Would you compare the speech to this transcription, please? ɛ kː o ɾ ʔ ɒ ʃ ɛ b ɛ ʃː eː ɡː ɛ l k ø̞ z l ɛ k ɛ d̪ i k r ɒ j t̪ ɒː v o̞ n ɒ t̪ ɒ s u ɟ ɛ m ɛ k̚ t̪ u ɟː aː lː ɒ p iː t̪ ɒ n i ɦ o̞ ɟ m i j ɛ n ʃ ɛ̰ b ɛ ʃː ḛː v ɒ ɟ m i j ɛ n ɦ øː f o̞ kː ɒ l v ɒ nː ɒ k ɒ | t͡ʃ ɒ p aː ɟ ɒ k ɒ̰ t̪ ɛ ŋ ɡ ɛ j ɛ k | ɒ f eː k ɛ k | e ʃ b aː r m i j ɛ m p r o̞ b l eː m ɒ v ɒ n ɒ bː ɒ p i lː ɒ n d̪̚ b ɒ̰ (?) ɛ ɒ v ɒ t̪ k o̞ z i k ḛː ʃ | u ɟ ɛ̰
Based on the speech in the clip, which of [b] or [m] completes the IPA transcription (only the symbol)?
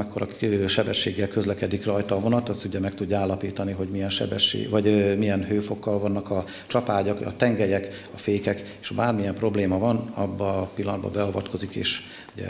b